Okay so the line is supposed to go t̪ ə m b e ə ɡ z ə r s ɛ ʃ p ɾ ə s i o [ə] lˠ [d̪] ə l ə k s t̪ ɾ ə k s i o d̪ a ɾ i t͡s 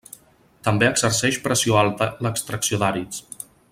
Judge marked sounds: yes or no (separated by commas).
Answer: no, no